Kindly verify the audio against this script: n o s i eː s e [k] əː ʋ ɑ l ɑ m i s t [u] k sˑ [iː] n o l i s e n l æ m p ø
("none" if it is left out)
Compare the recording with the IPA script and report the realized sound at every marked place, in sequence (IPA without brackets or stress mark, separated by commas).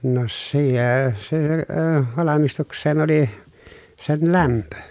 none, u, eː